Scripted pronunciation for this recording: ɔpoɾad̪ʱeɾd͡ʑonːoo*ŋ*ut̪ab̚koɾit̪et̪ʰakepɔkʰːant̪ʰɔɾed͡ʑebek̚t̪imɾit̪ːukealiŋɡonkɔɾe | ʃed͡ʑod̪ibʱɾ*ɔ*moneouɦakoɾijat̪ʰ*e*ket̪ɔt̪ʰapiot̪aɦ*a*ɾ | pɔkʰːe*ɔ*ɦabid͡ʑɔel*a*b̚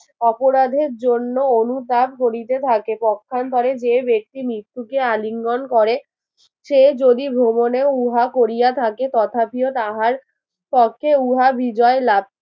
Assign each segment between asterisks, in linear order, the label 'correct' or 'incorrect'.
incorrect, incorrect, incorrect, correct, incorrect, correct

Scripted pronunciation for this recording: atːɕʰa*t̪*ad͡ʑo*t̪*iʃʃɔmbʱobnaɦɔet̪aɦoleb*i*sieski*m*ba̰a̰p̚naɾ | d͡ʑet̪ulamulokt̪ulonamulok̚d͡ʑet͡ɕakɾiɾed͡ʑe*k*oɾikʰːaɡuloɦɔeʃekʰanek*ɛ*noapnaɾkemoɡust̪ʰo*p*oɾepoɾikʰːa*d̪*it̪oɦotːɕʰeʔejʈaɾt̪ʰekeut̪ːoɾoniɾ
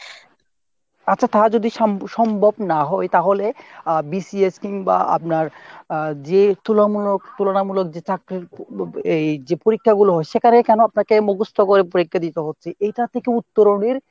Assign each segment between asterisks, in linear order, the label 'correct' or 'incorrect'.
correct, incorrect, correct, incorrect, incorrect, correct, incorrect, correct

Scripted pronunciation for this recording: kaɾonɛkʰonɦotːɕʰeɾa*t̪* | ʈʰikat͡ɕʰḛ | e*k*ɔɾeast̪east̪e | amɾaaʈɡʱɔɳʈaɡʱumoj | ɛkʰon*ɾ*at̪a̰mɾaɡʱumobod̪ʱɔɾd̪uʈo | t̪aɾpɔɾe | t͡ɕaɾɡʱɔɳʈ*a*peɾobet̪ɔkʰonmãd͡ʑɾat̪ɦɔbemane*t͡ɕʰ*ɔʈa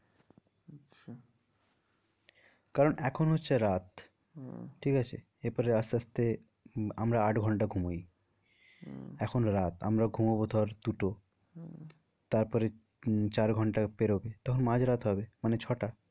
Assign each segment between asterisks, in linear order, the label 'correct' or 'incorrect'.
correct, incorrect, correct, correct, correct

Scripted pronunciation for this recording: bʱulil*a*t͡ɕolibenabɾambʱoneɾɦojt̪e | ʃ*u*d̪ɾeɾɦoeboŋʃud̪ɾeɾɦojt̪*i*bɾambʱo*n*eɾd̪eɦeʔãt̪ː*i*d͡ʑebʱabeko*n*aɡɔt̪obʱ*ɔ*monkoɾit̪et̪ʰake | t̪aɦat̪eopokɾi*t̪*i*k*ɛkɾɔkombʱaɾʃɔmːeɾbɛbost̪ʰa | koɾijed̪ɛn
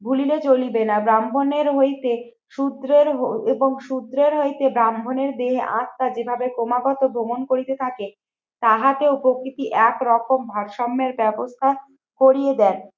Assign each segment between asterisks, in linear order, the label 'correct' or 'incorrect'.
incorrect, correct, incorrect, correct, incorrect, incorrect, incorrect, correct, incorrect

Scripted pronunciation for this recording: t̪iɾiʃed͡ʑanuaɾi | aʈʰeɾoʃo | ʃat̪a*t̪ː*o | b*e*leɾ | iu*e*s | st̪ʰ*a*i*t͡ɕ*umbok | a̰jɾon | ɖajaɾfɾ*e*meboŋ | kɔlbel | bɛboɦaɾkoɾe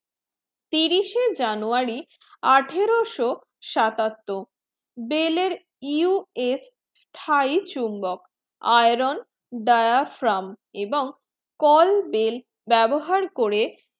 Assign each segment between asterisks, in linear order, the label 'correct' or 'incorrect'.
correct, correct, correct, correct, correct, incorrect

